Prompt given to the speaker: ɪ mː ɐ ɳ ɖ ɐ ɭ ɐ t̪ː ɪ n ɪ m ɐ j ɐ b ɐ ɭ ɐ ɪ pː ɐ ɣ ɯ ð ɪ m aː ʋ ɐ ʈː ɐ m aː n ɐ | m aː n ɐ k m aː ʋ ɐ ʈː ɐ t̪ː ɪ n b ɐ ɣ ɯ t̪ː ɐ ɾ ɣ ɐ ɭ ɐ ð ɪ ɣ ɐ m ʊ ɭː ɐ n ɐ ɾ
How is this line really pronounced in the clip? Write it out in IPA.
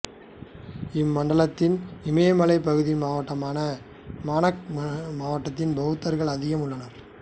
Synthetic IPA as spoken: ɪ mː ɐ ɳ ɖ ɐ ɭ ɐ t̪ː ɪ n ɪ m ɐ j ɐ m ɐ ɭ ɐ ɪ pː ɐ ɣ ɯ ð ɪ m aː ʋ ɐ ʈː ɐ m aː n ɐ | m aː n ɐ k m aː ʋ ɐ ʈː ɐ t̪ː ɪ n b ɐ ɣ ɯ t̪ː ɐ ɾ ɣ ɐ ɭ ɐ ð ɪ ɣ ɐ m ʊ ɭː ɐ n ɐ ɾ